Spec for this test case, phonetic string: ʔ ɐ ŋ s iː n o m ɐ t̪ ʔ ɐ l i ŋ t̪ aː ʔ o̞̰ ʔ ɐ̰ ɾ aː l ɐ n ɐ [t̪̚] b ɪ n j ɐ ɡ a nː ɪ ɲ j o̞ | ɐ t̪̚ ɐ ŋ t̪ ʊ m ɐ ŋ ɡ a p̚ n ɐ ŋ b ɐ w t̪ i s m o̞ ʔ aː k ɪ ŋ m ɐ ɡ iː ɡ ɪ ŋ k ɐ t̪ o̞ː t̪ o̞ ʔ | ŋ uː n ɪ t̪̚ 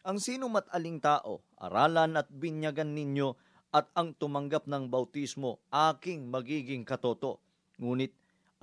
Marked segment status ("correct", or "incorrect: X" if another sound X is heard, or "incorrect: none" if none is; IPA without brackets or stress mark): correct